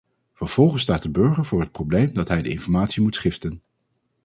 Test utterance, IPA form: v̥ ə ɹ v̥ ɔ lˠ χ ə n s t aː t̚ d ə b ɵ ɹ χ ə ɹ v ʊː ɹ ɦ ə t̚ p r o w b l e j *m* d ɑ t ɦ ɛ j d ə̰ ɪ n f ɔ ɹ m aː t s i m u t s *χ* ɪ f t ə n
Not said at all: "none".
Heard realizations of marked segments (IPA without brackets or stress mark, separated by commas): m, χ